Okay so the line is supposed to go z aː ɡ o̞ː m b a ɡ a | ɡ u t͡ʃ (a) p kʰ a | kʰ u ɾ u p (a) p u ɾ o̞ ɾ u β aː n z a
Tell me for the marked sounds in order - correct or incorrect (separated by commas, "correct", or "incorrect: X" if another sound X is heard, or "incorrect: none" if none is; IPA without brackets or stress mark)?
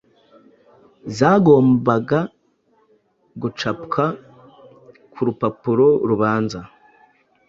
correct, correct